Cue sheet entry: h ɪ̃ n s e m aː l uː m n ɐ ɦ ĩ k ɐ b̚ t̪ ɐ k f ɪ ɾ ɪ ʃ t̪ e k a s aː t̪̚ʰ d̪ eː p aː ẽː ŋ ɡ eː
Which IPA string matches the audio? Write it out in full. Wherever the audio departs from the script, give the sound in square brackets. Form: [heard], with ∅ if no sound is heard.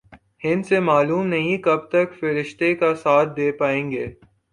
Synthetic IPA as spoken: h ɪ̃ n s e m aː l uː m n ɐ ɦ ĩ k ɐ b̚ t̪ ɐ k f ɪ ɾ ɪ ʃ t̪ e k a s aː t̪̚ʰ d̪ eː p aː ẽː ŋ ɡ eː